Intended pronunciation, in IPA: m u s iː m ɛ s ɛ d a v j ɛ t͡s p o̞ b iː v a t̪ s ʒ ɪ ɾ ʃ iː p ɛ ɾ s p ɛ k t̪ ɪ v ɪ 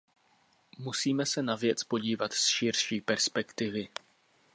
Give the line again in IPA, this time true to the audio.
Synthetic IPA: m u s iː m ɛ s ɛ n a v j ɛ t͡s p o̞ ɟ iː v a t̪ s ʃ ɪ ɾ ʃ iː p ɛ ɾ s p ɛ k t̪ ɪ v ɪ